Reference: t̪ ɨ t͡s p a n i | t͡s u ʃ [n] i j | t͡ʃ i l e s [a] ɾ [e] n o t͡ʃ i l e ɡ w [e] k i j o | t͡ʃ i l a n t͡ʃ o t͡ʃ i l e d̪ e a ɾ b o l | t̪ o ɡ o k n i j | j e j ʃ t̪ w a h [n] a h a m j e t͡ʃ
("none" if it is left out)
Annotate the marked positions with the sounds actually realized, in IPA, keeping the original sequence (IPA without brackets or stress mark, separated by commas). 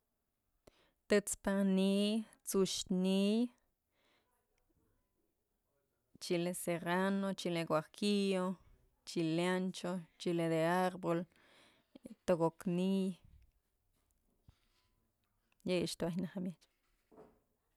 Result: n, e, a, a, n